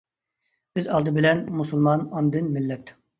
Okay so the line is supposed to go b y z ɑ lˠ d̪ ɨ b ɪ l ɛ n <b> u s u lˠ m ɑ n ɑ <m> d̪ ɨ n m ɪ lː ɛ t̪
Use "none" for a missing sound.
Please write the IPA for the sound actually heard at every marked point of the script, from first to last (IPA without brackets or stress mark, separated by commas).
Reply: m, n